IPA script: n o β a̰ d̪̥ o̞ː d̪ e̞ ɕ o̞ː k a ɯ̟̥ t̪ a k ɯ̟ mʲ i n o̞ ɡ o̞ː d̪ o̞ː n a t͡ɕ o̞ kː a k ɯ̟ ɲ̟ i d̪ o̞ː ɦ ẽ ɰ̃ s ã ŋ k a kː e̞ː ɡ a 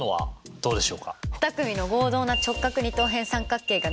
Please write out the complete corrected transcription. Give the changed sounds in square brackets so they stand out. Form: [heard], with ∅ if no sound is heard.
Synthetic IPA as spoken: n o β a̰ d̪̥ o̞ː d̪ e̞ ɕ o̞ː k a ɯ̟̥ t̪ a k ɯ̟ mʲ i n o̞ ɡ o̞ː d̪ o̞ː n a t͡ɕ o̞ kː a k ɯ̟ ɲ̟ i [t̪] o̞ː ɦ ẽ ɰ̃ s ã ŋ k a kː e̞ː ɡ a